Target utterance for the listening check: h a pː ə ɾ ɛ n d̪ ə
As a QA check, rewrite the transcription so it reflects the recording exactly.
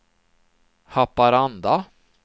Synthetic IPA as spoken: h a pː a ɾ a n d̪ a

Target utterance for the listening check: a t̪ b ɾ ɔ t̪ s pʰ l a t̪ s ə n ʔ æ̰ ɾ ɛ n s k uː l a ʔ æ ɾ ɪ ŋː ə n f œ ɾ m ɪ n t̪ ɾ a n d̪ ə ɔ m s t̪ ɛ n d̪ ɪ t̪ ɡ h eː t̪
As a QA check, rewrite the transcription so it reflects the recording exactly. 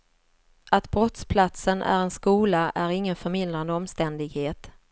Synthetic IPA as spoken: a t̪ b ɾ ɔ t̪ s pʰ l a t̪ s ə n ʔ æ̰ ɾ ɛ n s k uː l a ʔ æ ɾ ɪ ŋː ə n f œ ɾ m ɪ n d̪ ɾ a n d̪ ə ɔ m s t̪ ɛ n d̪ ɪ ɡ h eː t̪

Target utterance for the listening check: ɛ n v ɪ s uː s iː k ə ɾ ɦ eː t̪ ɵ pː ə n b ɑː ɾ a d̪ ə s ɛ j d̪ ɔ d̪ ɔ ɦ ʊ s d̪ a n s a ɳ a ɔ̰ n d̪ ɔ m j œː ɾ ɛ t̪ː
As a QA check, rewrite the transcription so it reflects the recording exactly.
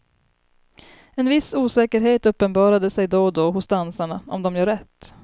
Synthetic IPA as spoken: ɛ n v ɪ s uː s ɛː k ə ɾ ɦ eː t̪ ɵ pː ə n b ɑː ɾ a d̪ ə s ɛ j d̪ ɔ d̪ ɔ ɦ ʊ s d̪ a n s a ɳ a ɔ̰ m d̪ ɔ m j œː ɾ ɛ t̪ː

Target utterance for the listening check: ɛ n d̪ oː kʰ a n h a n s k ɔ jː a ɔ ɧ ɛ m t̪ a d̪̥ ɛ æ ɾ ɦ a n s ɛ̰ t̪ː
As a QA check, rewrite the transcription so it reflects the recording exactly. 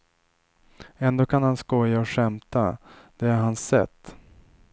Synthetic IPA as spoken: ɛ n d̪ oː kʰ a n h a n s k ɔ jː a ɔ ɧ ɛ m t̪ a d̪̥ ɛ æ ɾ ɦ a n s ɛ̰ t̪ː

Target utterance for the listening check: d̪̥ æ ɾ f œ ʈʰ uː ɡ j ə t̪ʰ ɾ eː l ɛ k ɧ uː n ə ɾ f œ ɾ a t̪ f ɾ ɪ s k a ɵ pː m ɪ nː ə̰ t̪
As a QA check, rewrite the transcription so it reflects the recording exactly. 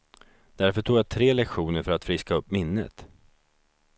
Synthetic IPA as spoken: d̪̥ æ ɾ f œ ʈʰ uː ɡ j a t̪ʰ ɾ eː l ɛ k ɧ uː n ə ɾ f œ ɾ a t̪ f ɾ ɪ s k a ɵ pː m ɪ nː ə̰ t̪

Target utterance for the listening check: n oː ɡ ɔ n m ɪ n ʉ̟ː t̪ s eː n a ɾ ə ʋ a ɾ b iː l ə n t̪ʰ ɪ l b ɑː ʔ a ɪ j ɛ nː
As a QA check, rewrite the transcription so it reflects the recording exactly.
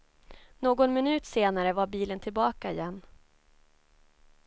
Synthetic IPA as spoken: n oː ɡ ɔ n m ɪ n ʉ̟ː t̪ s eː n a ɾ ə v a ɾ b iː l ə n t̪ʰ ɪ l b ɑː k a ɪ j ɛ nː

